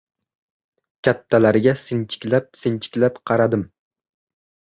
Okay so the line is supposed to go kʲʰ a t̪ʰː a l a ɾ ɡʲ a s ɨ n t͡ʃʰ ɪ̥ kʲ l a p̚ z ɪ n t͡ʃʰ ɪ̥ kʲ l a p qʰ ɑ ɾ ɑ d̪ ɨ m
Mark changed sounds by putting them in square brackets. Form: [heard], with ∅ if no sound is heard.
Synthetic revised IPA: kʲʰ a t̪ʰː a l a ɾ ɡʲ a s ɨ n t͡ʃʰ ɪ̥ kʲ l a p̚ [s] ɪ n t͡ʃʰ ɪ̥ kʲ l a p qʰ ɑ ɾ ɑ d̪ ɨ m